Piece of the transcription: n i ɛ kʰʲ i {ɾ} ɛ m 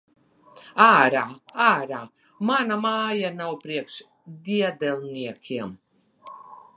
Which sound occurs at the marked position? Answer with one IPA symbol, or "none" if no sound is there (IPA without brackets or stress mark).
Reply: none